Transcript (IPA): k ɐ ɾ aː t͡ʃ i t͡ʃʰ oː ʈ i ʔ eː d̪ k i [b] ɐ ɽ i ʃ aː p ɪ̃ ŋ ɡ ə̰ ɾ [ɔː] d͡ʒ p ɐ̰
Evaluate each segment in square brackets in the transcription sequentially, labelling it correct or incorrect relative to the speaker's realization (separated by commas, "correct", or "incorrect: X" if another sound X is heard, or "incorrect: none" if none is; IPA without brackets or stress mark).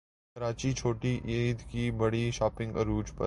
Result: correct, incorrect: uː